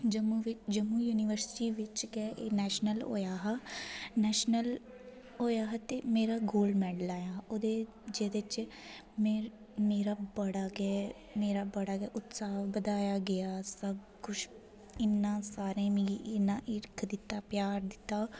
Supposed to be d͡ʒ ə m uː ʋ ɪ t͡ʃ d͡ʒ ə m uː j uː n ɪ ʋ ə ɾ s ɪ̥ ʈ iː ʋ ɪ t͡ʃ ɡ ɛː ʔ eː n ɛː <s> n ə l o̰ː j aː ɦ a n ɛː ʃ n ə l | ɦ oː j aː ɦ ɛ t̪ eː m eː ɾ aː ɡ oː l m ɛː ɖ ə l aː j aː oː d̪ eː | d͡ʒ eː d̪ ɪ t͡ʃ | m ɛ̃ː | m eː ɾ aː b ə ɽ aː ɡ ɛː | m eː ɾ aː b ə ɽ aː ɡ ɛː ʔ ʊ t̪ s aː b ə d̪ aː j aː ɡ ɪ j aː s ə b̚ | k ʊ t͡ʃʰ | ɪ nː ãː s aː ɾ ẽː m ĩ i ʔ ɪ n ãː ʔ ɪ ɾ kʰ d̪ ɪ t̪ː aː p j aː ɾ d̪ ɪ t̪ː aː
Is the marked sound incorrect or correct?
incorrect